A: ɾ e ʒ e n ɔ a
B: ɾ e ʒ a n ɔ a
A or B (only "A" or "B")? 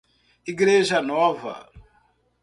B